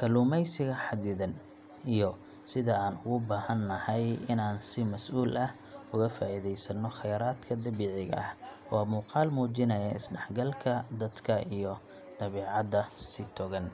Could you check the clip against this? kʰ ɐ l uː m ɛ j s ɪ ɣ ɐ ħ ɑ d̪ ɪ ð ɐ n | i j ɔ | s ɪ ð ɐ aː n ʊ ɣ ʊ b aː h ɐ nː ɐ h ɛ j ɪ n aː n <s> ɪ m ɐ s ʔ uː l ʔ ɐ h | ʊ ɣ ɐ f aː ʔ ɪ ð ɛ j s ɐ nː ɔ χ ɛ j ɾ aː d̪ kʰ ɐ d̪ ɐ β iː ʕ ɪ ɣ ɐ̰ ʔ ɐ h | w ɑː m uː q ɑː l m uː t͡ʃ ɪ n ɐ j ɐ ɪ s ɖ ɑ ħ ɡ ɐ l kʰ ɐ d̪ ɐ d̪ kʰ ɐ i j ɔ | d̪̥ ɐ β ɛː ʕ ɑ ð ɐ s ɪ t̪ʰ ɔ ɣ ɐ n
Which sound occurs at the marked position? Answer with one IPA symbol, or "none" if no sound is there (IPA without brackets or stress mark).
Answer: s